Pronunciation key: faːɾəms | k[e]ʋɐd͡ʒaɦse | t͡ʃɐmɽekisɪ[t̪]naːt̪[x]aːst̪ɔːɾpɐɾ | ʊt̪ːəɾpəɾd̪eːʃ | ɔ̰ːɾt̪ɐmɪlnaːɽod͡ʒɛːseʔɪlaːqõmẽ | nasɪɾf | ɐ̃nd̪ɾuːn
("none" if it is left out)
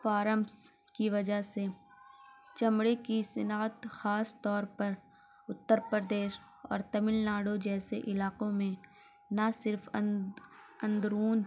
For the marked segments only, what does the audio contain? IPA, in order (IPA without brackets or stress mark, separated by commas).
i, none, x